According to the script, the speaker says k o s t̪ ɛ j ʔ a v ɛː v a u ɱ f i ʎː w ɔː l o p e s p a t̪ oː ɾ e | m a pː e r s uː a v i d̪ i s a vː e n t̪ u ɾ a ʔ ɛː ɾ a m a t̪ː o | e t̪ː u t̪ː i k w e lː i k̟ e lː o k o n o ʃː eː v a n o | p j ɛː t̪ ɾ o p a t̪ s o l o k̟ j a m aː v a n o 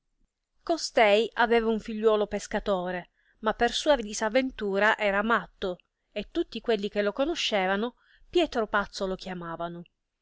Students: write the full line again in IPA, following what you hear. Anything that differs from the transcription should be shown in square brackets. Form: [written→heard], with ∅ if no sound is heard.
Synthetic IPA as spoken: k o s t̪ ɛ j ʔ a v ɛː v a u ɱ f i ʎː w ɔː l o p e s [p→k] a t̪ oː ɾ e | m a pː e r s uː a v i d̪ i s a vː e n t̪ [u→uː] ɾ a ʔ ɛː ɾ a m a t̪ː o | e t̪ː u t̪ː i k w e lː i k̟ e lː o k o n o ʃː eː v a n o | p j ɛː t̪ ɾ o p a t̪ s o l o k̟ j a m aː v a n o